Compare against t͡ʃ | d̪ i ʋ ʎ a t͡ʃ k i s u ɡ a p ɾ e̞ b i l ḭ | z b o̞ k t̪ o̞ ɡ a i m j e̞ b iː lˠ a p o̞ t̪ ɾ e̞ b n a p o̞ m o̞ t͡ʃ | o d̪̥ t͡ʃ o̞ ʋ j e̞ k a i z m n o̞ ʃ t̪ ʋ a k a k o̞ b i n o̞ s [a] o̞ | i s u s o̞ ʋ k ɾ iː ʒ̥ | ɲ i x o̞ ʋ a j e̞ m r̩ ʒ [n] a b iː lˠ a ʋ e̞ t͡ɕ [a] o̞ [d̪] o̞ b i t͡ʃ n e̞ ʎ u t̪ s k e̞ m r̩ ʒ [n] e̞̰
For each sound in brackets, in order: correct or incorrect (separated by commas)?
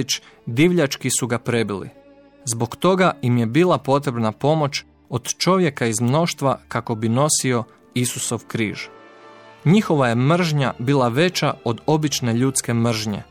incorrect, incorrect, correct, correct, incorrect